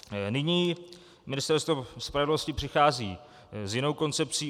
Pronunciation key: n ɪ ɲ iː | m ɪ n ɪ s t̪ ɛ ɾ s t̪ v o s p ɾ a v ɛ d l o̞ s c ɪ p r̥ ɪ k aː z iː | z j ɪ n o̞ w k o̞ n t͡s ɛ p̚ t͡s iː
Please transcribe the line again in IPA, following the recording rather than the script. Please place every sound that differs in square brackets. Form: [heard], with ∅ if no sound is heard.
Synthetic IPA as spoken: n ɪ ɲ iː | m ɪ n ɪ s t̪ ɛ ɾ s t̪ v o s p ɾ a v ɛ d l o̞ s c ɪ p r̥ ɪ [x] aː z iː | z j ɪ n o̞ w k o̞ n t͡s ɛ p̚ t͡s iː